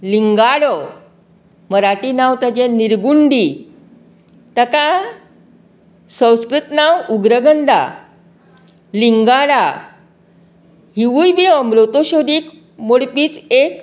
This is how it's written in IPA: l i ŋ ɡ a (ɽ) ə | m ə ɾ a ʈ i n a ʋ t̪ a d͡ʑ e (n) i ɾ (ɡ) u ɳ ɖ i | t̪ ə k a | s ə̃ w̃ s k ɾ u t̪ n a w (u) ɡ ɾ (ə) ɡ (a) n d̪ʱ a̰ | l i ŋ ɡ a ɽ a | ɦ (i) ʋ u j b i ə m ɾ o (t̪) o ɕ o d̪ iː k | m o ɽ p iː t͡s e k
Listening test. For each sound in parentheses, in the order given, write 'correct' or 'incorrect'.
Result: correct, correct, correct, correct, correct, incorrect: ə, correct, correct

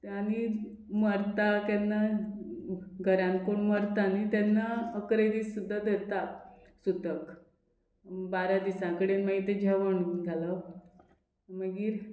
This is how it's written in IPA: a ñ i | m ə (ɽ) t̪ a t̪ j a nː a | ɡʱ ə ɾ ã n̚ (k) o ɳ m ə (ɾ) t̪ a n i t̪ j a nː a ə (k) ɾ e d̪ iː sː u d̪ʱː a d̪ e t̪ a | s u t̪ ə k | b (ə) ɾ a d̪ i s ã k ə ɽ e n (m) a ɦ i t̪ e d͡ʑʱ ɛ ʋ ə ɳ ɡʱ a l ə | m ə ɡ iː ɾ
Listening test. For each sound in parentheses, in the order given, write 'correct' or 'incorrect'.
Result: incorrect: ɾ, correct, correct, correct, incorrect: a, correct

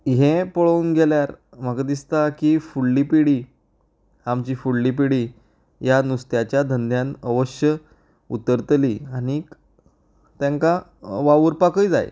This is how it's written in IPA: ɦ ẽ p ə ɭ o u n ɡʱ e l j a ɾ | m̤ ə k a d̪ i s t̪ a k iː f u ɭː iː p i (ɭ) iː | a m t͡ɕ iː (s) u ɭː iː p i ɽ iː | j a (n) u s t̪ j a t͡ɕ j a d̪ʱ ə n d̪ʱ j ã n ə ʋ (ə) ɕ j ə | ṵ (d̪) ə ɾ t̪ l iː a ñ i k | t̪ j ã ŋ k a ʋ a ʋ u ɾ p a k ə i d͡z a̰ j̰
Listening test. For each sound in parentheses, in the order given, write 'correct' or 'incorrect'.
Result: incorrect: ɽ, incorrect: f, correct, correct, incorrect: t̪

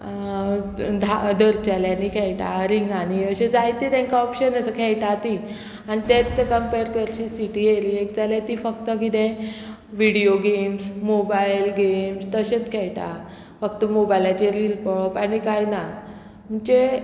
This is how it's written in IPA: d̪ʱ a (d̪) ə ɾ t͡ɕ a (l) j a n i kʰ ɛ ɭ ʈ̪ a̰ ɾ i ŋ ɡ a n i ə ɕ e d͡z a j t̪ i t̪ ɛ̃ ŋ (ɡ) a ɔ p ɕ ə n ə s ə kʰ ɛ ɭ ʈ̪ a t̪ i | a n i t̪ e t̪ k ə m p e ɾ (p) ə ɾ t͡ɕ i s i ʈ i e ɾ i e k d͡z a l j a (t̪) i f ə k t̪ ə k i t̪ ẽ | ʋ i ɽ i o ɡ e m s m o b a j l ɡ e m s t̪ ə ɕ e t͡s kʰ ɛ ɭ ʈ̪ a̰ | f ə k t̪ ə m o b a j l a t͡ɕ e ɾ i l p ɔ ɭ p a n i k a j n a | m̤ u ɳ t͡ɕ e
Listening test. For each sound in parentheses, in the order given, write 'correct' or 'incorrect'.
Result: correct, correct, incorrect: k, incorrect: k, correct

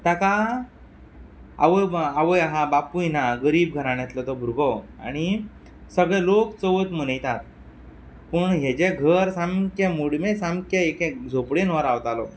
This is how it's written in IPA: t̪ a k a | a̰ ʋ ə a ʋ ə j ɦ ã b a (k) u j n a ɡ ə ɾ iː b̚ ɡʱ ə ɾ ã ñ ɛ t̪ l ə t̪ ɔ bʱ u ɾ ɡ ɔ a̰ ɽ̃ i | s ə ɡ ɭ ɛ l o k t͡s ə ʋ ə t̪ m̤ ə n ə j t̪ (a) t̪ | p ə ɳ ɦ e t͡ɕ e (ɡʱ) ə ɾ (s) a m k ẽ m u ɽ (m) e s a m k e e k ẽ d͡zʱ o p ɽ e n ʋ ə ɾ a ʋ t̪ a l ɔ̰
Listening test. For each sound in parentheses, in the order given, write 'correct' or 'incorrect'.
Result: incorrect: p, correct, correct, correct, correct

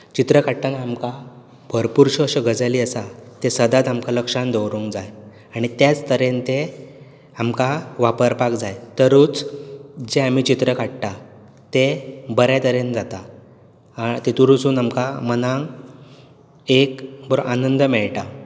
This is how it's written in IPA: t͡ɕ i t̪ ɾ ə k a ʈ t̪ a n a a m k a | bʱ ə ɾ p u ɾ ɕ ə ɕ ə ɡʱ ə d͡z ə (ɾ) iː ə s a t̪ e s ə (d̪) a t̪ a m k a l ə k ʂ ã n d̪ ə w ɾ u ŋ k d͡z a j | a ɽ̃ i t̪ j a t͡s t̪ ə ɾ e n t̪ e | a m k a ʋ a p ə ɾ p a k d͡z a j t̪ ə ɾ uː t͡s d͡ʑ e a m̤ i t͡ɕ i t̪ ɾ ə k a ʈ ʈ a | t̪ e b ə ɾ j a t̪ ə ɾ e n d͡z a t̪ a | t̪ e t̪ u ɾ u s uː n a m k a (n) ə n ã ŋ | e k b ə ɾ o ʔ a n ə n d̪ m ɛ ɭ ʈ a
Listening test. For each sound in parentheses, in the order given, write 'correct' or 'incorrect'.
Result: incorrect: l, correct, incorrect: m

